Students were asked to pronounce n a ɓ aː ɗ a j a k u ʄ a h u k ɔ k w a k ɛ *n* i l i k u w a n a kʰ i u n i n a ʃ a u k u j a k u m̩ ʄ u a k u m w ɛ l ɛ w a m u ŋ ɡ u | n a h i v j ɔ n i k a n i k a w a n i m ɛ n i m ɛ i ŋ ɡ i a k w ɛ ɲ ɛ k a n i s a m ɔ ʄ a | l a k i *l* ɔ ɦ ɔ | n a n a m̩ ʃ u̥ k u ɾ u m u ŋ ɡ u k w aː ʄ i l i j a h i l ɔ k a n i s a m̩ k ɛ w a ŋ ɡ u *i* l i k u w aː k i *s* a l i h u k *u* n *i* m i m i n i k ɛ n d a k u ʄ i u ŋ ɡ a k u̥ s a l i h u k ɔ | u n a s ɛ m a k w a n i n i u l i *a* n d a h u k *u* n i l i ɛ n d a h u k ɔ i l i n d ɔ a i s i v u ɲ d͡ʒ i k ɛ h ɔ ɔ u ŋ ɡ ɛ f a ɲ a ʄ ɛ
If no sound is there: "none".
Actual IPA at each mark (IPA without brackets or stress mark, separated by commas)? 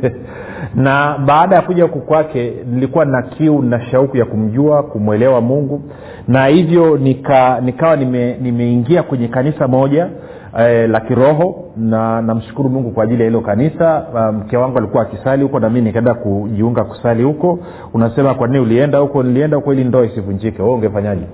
n, ɾ, a, s, ɔ, a, ɛ, ɔ